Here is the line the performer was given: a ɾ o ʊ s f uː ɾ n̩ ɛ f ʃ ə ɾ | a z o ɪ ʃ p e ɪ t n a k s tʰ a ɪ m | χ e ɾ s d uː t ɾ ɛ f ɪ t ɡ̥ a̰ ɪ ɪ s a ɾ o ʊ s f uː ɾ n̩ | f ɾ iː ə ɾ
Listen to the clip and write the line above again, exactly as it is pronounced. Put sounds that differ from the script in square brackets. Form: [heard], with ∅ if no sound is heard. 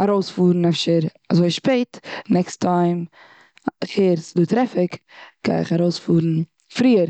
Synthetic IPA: a ɾ o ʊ s f uː ɾ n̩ ɛ f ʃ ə ɾ | a z o ɪ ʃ p e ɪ t n [ɛ] k s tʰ a ɪ m | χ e ɾ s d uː t ɾ ɛ f ɪ [k] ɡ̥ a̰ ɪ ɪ [χ] a ɾ o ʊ s f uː ɾ n̩ | f ɾ iː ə ɾ